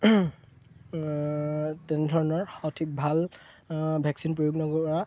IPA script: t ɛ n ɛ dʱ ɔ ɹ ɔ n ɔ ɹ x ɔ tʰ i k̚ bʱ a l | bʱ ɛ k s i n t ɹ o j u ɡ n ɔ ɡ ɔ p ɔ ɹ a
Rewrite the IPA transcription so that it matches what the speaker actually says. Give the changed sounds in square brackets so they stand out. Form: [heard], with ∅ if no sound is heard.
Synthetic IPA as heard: t ɛ n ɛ dʱ ɔ ɹ ɔ n ɔ ɹ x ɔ tʰ i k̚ bʱ a l | bʱ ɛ k s i n [p] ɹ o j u ɡ n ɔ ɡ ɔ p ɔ ɹ a